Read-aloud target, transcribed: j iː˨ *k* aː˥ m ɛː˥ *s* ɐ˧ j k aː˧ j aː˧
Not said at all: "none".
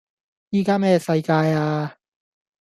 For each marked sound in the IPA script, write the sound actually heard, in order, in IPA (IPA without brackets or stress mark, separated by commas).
k, s